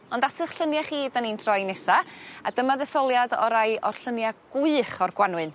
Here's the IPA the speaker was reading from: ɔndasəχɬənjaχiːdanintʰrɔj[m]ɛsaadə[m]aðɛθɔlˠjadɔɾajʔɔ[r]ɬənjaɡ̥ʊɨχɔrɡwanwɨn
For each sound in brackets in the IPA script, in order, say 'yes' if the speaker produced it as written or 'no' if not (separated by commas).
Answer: no, yes, yes